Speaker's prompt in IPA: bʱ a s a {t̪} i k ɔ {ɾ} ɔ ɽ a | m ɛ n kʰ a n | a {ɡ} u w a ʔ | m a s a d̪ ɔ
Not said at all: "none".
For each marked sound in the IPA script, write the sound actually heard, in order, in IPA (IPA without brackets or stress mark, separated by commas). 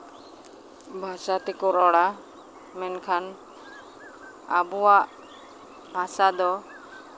t̪, ɾ, b